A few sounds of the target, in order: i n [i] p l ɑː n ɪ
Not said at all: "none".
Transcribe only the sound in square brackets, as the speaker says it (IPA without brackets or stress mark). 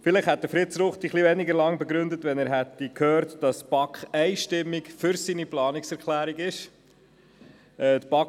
i